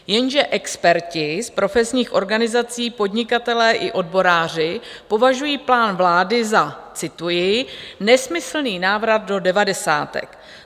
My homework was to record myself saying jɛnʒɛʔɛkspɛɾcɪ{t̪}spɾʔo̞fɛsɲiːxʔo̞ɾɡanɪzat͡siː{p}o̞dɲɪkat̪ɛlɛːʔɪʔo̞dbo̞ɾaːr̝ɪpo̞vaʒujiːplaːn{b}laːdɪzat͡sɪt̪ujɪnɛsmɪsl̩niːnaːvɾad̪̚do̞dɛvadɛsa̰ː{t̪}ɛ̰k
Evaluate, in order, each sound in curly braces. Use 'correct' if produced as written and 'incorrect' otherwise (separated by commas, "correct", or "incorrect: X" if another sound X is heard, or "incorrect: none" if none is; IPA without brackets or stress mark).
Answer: incorrect: none, correct, incorrect: v, correct